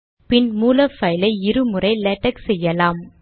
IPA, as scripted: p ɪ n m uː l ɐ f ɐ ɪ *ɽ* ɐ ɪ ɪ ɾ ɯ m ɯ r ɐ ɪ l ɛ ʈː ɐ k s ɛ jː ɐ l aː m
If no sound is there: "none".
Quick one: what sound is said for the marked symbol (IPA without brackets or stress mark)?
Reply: l